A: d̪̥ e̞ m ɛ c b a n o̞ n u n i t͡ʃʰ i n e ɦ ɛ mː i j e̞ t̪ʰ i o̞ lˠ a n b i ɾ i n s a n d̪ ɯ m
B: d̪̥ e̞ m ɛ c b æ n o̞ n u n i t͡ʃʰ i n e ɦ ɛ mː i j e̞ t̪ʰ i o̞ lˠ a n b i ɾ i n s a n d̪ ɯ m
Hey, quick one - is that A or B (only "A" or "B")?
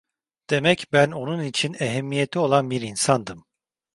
B